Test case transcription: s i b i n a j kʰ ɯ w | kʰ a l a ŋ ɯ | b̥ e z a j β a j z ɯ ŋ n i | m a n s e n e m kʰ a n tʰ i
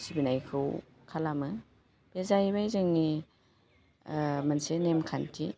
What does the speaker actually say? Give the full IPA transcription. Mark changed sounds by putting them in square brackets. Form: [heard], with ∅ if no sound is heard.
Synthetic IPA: s i b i n a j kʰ ɯ w | kʰ a l a [m] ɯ | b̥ e z a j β a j z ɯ ŋ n i | m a n s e n e m kʰ a n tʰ i